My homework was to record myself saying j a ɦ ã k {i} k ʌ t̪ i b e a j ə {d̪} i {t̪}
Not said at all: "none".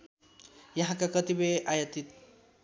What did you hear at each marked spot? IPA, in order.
a, t̪, t̪

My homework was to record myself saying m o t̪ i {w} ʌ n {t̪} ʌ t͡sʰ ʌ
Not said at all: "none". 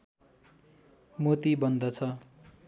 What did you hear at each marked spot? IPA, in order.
b, d̪

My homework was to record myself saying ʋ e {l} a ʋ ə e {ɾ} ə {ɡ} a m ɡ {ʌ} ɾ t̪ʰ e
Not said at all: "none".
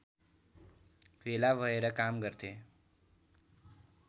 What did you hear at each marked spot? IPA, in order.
l, ɾ, k, ə

